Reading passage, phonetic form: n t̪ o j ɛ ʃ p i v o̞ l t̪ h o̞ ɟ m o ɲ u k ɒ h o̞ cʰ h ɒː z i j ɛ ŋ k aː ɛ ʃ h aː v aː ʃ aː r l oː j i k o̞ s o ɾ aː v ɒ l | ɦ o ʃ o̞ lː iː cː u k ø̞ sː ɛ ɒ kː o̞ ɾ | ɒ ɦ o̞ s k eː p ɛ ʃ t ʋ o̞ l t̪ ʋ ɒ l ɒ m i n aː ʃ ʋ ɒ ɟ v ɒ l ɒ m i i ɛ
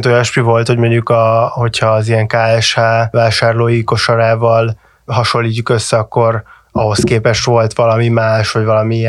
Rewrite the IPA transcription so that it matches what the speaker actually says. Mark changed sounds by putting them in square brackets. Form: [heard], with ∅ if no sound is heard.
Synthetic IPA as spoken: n t̪ o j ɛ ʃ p i v o̞ l t̪ h o̞ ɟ m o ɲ u k ɒ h o̞ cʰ h ɒː z i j ɛ ŋ k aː ɛ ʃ h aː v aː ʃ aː r l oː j i k o̞ [ʃ] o ɾ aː v ɒ l | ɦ [ɒ] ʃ o̞ lː iː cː u k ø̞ sː ɛ ɒ kː o̞ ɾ | ɒ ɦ o̞ s k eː p ɛ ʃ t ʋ o̞ l t̪ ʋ ɒ l ɒ m i [m] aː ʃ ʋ ɒ ɟ v ɒ l ɒ m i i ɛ